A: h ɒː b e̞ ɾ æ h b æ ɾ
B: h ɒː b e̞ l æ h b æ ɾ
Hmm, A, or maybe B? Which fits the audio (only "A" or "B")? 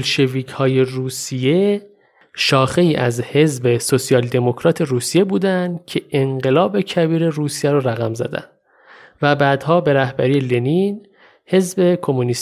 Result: A